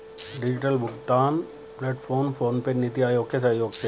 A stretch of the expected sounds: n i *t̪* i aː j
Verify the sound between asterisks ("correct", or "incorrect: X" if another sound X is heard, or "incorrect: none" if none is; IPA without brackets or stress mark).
correct